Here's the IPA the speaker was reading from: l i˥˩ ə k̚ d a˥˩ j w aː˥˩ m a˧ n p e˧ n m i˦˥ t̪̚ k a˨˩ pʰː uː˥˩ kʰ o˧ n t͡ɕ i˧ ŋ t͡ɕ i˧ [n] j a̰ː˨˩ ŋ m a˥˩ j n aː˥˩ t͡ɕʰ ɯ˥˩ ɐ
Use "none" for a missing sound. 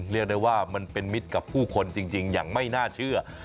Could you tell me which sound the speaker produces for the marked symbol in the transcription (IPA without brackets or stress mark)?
ŋ